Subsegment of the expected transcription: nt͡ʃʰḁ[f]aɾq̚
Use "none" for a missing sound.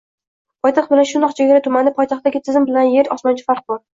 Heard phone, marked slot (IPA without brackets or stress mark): f